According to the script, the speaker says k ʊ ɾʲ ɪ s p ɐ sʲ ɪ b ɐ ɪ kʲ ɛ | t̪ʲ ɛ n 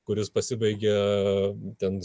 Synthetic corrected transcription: k ʊ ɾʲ ɪ s p ɐ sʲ ɪ b ɐ ɪ ɡʲ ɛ | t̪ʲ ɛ n